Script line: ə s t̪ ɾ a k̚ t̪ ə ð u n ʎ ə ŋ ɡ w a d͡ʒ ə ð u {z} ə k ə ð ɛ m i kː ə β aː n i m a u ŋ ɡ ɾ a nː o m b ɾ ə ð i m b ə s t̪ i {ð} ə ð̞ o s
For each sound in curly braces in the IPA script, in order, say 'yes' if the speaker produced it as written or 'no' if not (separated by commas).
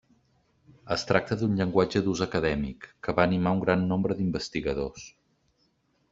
yes, no